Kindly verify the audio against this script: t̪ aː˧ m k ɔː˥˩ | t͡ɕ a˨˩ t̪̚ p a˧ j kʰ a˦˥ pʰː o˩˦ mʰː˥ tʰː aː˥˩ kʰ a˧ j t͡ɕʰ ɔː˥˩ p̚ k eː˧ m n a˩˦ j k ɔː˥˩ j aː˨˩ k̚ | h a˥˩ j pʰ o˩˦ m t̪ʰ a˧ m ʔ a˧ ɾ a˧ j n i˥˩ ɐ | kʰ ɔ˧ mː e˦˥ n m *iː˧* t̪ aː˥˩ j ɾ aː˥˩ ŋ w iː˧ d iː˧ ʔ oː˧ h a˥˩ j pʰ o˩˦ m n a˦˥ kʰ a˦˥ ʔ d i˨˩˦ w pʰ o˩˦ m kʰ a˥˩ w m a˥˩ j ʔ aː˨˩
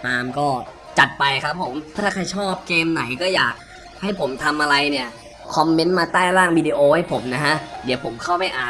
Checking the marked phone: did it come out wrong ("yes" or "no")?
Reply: yes